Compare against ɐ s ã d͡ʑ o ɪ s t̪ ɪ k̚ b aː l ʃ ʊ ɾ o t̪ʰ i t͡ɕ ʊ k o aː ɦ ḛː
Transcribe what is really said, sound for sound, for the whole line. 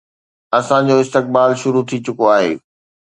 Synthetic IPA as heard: ɐ s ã d͡ʑ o ɪ s t̪ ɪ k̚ b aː l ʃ ʊ ɾ u t̪ʰ i t͡ɕ ʊ k o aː ɦ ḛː